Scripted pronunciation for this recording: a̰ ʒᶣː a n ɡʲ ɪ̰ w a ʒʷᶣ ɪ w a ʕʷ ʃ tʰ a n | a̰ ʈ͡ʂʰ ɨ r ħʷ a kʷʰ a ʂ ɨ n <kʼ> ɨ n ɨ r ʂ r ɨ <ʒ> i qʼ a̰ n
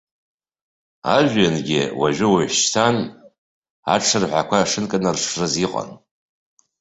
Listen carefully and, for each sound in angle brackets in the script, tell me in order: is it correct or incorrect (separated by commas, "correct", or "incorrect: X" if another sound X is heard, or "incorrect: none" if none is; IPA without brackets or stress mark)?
correct, incorrect: z